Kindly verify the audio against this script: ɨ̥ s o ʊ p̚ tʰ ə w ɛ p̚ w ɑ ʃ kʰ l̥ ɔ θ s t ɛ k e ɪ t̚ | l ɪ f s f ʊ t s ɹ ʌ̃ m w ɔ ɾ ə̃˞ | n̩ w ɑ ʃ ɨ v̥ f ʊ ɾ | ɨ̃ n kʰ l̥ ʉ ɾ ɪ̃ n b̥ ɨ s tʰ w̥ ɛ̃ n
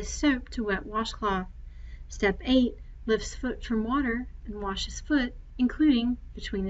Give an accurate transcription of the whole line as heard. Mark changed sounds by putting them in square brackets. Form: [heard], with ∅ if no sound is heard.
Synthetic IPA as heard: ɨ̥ s o ʊ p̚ tʰ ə w ɛ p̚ w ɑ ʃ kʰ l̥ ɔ θ s t ɛ [p] e ɪ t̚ | l ɪ f s f ʊ t [f] ɹ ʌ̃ m w ɔ ɾ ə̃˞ | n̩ w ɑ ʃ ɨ [z̥] f ʊ ɾ | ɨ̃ n kʰ l̥ ʉ ɾ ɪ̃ [ŋ] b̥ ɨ [∅] tʰ w̥ [ĩ] n